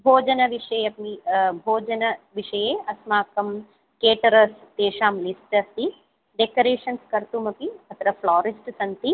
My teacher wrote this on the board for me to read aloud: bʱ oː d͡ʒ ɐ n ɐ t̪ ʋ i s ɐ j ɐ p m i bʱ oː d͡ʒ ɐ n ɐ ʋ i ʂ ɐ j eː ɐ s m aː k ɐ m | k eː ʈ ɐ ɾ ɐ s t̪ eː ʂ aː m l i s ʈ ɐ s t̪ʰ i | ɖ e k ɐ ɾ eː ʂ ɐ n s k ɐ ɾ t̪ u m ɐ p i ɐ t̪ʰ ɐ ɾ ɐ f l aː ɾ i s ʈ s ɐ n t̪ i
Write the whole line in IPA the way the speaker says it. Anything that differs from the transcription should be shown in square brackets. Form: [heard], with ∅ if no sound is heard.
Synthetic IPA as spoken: bʱ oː d͡ʒ ɐ n ɐ [∅] ʋ i [ʂ] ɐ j ɐ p m i bʱ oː d͡ʒ ɐ n ɐ ʋ i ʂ ɐ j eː ɐ s m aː k ɐ m | k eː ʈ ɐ ɾ ɐ s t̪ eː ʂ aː m l i s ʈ ɐ s [t̪] i | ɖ e k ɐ ɾ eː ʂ ɐ n s k ɐ ɾ t̪ u m ɐ p i ɐ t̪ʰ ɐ ɾ ɐ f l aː ɾ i s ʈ s ɐ n t̪ i

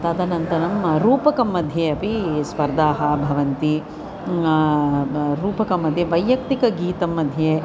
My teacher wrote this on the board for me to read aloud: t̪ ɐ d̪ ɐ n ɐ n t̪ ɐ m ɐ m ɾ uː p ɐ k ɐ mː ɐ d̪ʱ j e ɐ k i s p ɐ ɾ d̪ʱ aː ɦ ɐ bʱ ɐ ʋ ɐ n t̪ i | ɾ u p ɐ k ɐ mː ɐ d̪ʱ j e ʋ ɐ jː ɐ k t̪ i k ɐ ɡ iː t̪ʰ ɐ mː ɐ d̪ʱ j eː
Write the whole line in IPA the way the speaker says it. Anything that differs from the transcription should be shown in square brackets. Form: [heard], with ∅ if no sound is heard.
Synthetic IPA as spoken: t̪ ɐ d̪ ɐ n ɐ n t̪ ɐ [n] ɐ m ɾ uː p ɐ k ɐ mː ɐ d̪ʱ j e ɐ [p] i s p ɐ ɾ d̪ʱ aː ɦ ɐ bʱ ɐ ʋ ɐ n t̪ i | ɾ [uː] p ɐ k ɐ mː ɐ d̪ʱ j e ʋ ɐ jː ɐ k t̪ i k ɐ ɡ iː [t̪] ɐ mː ɐ d̪ʱ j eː

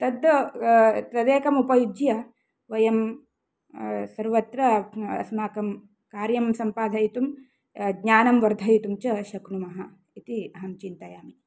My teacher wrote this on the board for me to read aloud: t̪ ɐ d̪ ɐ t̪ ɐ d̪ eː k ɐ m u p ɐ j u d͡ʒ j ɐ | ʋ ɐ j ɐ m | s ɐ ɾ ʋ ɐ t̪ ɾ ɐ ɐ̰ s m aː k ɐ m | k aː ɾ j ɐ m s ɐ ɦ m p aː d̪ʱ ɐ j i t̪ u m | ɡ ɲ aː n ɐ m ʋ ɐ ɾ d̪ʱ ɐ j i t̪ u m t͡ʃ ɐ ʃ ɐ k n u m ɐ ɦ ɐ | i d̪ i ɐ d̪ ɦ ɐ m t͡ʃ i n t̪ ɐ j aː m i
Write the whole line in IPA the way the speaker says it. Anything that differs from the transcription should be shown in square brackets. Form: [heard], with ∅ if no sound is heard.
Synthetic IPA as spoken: t̪ ɐ d̪ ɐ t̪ ɐ d̪ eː k ɐ m u p ɐ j u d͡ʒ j ɐ | ʋ ɐ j ɐ m | s ɐ ɾ ʋ ɐ t̪ ɾ ɐ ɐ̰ s m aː k ɐ m | k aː ɾ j ɐ m s ɐ [∅] m p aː d̪ʱ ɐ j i t̪ u m | ɡ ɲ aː n ɐ m ʋ ɐ ɾ d̪ʱ ɐ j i t̪ u m t͡ʃ ɐ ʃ ɐ k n u m ɐ ɦ ɐ | i [t̪] i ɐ [∅] ɦ ɐ m t͡ʃ i n t̪ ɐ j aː m i

